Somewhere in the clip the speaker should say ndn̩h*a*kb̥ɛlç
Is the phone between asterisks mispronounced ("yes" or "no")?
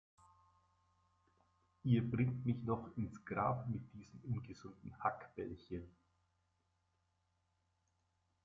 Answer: no